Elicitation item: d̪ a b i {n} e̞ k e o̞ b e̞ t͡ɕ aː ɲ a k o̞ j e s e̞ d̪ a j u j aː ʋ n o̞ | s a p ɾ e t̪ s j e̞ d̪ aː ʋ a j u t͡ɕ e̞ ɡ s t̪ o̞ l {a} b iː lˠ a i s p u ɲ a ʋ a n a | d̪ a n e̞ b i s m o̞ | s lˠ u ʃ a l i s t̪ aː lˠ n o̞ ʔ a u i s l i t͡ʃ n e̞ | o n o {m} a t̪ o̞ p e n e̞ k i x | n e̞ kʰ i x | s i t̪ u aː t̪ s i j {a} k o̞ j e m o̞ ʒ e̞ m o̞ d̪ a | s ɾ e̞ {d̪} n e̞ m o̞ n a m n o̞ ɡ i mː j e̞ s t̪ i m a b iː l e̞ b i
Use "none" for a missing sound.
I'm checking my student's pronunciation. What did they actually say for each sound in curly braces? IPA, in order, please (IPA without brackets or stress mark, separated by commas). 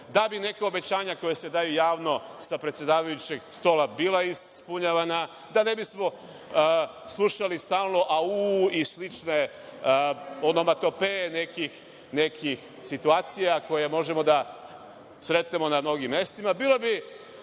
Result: n, a, m, a, t̪